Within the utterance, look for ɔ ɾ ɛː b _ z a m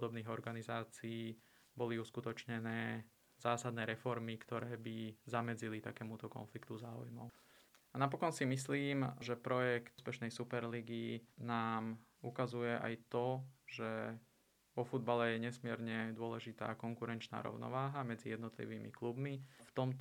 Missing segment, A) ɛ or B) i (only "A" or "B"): B